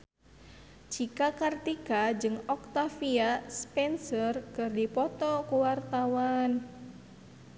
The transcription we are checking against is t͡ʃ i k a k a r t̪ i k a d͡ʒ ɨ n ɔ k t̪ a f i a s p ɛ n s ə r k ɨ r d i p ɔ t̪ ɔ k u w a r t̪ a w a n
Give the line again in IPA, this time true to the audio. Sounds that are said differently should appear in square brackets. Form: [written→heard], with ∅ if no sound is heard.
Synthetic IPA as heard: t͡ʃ i k a k a r t̪ i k a d͡ʒ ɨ [n→ŋ] ɔ k t̪ a f i a s p ɛ n s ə r k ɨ r d i p ɔ t̪ ɔ k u w a r t̪ a w a n